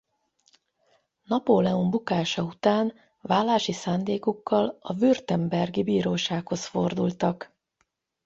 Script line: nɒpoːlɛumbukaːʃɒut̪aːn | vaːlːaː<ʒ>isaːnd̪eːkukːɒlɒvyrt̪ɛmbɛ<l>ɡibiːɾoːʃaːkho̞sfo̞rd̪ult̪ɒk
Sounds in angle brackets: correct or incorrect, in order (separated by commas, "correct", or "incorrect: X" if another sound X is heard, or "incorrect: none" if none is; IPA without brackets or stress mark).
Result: incorrect: ʃ, incorrect: r